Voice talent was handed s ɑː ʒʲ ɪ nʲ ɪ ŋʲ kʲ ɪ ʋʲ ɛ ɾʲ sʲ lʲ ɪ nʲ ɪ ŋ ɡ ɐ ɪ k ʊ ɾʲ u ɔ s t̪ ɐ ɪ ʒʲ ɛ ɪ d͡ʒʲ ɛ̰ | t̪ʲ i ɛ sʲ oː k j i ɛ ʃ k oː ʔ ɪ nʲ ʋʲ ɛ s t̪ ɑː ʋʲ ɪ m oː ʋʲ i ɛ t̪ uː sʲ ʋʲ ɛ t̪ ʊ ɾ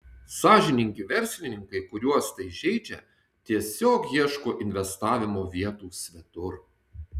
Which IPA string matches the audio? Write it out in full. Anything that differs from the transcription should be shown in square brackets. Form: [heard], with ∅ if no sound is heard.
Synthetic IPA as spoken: s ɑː ʒʲ ɪ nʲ ɪ ŋʲ kʲ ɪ ʋʲ ɛ ɾʲ sʲ lʲ ɪ nʲ ɪ ŋ [k] ɐ ɪ k ʊ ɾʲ u ɔ s t̪ ɐ ɪ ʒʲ ɛ ɪ d͡ʒʲ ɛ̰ | t̪ʲ i ɛ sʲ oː k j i ɛ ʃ k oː ʔ ɪ nʲ ʋʲ ɛ s t̪ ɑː ʋʲ ɪ m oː ʋʲ i ɛ t̪ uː sʲ ʋʲ ɛ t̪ ʊ ɾ